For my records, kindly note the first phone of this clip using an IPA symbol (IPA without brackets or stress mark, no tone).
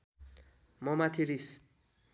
m